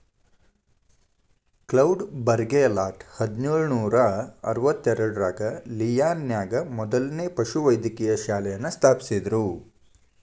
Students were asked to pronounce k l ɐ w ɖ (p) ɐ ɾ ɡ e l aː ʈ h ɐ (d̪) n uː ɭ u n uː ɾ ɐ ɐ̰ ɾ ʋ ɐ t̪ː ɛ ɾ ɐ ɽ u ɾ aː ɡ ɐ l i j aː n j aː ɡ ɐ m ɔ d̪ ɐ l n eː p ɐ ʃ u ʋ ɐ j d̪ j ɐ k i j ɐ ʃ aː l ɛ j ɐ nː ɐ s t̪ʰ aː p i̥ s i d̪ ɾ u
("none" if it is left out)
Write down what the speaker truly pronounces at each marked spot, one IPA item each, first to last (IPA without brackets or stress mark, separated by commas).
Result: b, d̪